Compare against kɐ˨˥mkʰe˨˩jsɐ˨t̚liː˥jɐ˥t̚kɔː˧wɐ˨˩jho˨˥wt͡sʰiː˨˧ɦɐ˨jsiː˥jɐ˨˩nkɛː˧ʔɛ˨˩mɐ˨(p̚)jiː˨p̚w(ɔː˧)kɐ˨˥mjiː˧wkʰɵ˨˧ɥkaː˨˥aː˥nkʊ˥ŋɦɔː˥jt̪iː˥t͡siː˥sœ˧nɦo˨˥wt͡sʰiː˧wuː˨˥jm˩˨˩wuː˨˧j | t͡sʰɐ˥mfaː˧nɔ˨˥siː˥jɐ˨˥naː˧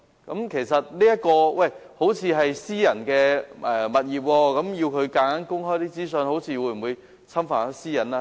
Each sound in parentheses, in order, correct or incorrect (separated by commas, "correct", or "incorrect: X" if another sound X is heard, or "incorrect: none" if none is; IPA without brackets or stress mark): incorrect: t̚, correct